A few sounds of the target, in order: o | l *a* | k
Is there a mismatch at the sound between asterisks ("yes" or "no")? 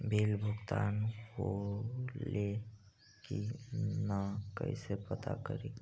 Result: yes